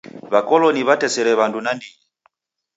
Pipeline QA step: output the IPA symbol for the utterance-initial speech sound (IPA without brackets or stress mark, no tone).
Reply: β